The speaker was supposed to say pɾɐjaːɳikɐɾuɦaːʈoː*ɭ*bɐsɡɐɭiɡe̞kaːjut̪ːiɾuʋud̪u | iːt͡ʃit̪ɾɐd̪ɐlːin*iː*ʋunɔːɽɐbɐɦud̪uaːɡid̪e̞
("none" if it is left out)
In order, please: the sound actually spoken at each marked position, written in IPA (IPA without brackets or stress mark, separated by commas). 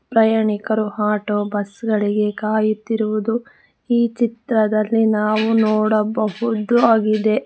none, aː